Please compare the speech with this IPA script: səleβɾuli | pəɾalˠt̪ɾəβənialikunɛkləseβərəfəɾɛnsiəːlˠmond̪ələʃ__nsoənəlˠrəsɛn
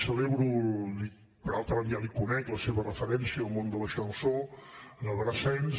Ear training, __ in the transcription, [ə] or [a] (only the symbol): ə